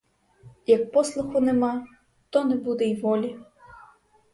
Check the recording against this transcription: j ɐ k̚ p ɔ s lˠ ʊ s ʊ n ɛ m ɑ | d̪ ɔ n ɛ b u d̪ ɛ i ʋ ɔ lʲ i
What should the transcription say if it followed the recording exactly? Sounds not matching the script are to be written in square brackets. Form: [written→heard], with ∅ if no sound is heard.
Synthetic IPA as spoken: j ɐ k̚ p ɔ s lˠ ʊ [s→x] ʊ n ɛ m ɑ | [d̪→t̪] ɔ n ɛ b u d̪ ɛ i ʋ ɔ lʲ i